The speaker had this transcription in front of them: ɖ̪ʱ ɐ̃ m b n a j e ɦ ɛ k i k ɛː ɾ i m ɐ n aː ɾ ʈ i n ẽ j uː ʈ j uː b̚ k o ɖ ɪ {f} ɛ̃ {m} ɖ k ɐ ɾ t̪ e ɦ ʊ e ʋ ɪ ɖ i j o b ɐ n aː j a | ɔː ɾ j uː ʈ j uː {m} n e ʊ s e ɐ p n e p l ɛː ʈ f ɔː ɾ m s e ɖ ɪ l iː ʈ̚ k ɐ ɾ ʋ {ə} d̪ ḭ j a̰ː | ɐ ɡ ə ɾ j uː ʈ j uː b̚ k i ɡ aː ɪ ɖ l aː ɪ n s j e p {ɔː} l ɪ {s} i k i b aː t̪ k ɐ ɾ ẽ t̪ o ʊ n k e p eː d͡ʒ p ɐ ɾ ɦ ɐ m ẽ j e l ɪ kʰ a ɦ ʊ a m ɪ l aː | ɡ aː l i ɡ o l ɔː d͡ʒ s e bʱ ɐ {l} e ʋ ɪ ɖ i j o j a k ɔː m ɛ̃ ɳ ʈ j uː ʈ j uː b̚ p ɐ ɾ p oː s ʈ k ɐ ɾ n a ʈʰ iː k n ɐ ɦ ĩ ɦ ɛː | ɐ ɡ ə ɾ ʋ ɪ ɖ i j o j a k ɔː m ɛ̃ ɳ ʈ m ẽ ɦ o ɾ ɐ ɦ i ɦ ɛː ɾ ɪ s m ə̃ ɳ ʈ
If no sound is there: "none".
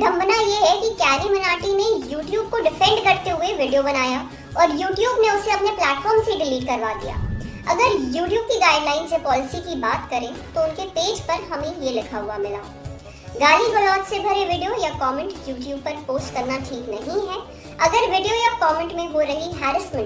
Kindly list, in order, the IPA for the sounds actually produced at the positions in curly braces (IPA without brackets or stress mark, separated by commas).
f, ɳ, b, a, ɔː, s, ɾ